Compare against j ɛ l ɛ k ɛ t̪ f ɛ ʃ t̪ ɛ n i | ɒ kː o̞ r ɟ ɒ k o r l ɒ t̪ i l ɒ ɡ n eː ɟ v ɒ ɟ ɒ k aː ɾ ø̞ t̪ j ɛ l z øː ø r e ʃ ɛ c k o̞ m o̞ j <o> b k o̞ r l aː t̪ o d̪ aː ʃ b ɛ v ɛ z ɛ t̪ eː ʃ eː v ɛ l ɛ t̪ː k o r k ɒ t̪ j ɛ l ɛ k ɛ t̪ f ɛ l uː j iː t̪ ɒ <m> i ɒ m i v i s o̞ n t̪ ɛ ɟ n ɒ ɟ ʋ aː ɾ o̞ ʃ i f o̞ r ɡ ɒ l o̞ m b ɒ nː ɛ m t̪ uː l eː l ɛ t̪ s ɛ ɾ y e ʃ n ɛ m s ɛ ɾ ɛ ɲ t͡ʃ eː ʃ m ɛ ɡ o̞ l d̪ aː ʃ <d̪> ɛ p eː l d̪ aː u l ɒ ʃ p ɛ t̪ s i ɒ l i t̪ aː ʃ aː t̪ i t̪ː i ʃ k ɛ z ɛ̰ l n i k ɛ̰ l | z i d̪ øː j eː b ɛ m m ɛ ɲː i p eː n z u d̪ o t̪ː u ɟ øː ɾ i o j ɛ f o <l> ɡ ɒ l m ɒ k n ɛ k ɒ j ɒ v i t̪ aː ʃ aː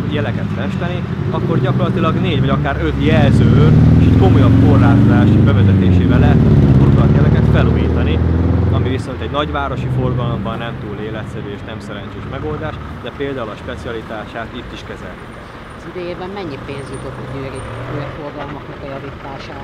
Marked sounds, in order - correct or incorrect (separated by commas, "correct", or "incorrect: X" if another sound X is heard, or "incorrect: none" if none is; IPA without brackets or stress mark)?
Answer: incorrect: ɒ, incorrect: n, correct, incorrect: r